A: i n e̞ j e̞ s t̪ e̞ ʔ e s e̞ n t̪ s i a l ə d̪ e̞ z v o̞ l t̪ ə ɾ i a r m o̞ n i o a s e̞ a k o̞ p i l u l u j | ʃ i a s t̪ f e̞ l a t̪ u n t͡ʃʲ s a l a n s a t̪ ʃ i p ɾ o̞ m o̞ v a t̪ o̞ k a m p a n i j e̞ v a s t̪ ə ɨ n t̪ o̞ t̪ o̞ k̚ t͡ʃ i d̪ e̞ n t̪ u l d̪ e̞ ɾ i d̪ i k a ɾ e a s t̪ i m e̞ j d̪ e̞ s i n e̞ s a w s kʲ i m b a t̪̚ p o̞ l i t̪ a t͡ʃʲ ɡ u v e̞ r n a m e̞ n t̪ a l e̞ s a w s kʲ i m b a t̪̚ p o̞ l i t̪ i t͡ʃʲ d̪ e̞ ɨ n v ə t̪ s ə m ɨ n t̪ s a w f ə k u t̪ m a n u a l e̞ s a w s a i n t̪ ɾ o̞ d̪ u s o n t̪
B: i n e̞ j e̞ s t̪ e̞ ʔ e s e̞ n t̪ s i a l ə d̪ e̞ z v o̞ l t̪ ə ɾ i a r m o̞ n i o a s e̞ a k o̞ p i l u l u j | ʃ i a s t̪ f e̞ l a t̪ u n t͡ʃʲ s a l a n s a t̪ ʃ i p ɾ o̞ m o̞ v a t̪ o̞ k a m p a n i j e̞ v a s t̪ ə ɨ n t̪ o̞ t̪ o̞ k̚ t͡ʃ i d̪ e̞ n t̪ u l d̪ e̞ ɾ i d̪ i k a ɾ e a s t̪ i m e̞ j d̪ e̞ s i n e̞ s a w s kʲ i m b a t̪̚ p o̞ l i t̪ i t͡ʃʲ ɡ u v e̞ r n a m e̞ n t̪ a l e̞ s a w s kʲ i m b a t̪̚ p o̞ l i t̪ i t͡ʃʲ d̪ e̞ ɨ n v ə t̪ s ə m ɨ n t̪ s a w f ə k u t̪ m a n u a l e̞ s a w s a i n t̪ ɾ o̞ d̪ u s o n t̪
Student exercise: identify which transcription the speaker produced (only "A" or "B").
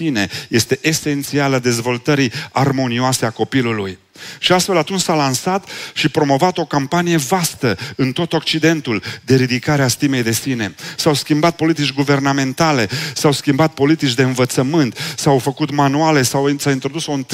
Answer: B